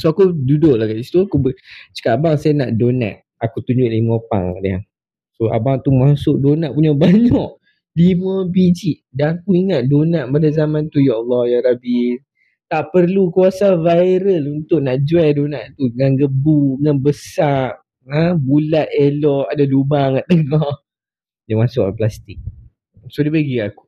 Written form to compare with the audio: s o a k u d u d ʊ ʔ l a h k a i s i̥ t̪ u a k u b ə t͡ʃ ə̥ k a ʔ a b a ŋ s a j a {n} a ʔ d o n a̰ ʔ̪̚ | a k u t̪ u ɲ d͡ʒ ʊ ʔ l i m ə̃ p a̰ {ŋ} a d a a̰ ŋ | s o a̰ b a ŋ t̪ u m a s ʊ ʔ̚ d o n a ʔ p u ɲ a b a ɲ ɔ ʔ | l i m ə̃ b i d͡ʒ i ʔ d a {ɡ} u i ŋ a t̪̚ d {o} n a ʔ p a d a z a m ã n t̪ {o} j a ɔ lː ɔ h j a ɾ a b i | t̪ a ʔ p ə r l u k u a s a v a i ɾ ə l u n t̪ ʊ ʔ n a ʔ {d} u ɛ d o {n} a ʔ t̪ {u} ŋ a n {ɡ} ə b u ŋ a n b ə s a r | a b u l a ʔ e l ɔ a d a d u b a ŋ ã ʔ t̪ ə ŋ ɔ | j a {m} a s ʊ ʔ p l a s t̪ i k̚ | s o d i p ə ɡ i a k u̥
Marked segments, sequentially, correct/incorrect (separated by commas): correct, correct, incorrect, correct, incorrect, incorrect, correct, correct, correct, correct